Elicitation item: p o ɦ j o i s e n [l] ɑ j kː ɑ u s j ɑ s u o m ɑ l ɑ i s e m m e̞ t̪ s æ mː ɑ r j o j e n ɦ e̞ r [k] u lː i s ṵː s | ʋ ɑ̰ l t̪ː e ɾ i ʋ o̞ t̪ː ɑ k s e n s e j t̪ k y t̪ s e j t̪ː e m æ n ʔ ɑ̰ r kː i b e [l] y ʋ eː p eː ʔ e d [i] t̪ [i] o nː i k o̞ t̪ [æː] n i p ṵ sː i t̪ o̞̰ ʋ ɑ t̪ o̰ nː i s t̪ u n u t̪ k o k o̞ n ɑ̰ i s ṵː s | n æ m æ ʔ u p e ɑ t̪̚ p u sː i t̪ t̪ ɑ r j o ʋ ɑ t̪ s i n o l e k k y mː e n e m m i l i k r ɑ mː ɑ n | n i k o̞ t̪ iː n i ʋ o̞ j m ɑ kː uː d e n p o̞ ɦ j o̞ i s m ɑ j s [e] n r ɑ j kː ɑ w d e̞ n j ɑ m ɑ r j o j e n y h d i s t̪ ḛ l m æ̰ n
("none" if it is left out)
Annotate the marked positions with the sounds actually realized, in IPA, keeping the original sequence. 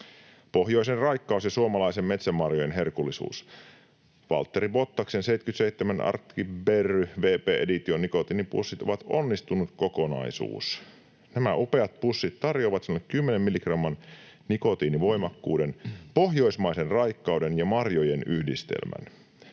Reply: r, k, r, i, i, iː, e

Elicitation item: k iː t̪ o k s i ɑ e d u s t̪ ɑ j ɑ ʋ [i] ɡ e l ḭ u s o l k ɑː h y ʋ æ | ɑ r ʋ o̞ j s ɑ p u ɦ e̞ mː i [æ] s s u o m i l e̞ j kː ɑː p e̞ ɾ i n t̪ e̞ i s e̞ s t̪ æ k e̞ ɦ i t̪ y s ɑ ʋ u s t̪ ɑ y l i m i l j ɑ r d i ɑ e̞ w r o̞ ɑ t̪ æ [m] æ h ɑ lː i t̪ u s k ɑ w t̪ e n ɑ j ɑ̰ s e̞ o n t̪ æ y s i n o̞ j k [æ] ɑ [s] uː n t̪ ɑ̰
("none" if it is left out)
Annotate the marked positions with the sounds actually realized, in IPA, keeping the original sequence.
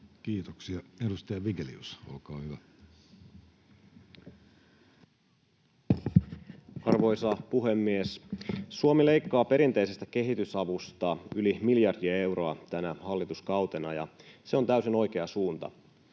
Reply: i, e, n, e, s

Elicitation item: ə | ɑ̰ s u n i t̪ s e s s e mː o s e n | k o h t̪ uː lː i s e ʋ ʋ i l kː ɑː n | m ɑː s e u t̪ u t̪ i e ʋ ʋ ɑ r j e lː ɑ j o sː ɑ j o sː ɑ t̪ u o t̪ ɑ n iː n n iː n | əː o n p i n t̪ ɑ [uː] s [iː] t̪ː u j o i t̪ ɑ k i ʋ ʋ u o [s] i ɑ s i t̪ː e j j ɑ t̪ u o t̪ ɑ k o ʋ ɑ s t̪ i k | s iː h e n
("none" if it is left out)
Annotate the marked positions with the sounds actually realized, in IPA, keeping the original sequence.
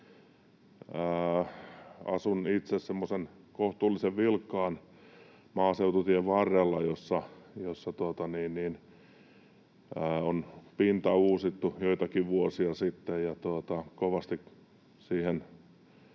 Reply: uː, i, s

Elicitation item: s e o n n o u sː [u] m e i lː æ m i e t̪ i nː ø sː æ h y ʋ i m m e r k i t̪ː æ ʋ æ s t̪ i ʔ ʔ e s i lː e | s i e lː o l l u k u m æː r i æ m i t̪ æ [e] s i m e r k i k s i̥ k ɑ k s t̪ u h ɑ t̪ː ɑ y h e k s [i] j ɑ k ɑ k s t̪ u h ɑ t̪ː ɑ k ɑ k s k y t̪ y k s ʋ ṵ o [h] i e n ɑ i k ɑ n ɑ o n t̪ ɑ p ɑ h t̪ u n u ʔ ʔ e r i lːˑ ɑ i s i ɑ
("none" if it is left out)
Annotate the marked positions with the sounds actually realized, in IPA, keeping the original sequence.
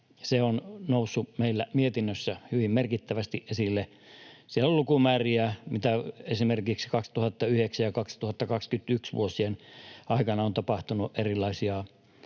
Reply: u, e, æ, s

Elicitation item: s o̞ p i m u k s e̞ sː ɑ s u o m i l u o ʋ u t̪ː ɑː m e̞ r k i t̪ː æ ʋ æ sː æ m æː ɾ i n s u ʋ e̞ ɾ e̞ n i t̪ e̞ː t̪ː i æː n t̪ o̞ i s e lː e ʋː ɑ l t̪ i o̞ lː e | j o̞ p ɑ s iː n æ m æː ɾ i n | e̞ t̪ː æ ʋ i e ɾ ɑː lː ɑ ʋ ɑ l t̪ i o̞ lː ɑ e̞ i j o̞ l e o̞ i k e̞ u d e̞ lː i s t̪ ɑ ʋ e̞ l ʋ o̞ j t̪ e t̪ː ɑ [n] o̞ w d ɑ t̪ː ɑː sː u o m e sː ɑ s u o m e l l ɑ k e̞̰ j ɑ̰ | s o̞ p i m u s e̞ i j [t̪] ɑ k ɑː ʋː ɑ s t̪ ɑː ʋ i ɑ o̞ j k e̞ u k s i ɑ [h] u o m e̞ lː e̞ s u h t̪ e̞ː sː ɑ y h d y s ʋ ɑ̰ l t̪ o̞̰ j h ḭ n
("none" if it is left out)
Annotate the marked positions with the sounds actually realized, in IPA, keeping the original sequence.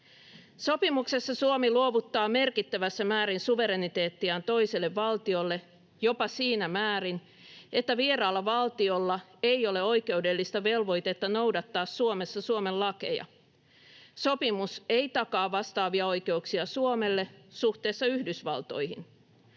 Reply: n, t̪, s

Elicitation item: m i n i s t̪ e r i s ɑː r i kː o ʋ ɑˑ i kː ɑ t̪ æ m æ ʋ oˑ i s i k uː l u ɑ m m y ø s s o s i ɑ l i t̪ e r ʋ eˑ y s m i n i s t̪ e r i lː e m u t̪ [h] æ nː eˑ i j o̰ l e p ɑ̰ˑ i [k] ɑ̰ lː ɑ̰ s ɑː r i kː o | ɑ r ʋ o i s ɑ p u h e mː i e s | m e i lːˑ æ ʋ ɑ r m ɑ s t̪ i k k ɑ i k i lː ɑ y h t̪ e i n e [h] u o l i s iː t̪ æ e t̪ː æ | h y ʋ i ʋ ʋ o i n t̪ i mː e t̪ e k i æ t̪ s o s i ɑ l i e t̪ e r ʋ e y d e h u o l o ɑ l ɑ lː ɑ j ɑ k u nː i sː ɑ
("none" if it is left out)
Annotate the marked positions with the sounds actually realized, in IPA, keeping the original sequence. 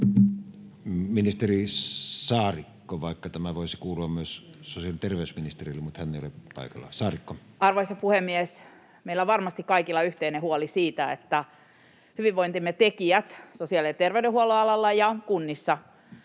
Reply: h, k, h

